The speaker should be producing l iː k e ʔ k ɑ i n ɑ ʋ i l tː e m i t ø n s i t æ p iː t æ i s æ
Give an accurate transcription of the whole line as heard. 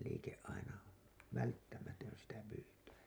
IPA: l iː k e ʔ ʔ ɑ i n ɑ ʋ æ l tː æ m æ t ø n s i t æ p yː t æ i s æ